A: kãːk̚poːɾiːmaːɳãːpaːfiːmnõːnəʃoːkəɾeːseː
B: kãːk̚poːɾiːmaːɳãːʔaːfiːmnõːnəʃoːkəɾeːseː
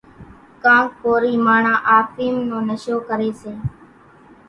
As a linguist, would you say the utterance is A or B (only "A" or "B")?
B